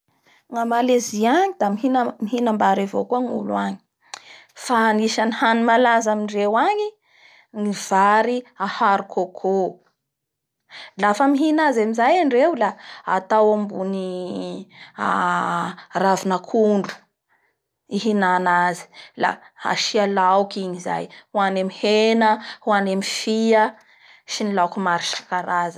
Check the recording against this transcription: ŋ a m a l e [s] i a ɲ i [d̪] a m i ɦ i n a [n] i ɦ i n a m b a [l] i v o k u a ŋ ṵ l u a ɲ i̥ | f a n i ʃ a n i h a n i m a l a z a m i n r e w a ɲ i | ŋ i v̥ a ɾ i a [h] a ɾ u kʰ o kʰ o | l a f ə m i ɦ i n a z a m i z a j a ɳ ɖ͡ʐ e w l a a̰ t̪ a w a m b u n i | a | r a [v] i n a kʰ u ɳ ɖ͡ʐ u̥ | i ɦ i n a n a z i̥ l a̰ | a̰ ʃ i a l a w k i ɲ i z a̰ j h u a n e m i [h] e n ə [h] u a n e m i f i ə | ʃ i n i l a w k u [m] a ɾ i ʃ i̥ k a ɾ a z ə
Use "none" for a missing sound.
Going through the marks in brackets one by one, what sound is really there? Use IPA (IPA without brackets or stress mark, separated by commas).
z, d̪, m, ɾ, h, v, h, h, m